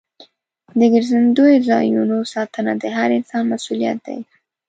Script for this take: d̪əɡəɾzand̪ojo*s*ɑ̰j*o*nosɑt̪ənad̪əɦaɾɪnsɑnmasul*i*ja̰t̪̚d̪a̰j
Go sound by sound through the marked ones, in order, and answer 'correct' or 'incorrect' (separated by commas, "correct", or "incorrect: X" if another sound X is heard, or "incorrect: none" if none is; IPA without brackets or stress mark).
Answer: incorrect: z, incorrect: u, correct